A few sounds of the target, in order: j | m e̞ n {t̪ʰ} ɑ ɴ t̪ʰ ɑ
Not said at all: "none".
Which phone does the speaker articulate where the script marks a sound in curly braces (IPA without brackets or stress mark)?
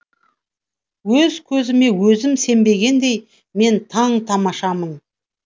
t̪ʰ